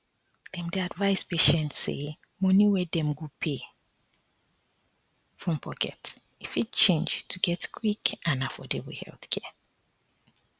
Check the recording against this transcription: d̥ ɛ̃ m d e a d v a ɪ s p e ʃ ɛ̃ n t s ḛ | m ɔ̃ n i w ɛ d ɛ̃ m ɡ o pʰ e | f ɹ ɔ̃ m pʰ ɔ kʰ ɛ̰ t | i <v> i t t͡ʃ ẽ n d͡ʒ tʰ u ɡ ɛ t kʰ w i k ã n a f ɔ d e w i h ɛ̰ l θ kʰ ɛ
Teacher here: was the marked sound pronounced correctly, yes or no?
no